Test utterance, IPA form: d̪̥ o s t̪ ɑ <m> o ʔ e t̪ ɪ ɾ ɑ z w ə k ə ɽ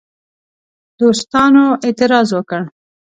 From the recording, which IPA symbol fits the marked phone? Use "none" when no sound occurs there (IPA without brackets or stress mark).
n